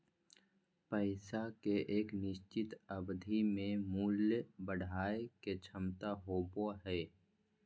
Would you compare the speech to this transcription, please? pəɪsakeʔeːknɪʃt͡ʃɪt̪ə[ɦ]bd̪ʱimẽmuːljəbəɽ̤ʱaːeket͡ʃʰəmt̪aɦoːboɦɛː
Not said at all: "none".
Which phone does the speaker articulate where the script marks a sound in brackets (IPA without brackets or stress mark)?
none